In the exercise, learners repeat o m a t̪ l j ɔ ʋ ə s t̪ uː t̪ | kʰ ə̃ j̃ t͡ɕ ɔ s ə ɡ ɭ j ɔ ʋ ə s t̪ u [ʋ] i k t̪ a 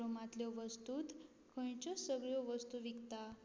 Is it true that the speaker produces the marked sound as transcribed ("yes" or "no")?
yes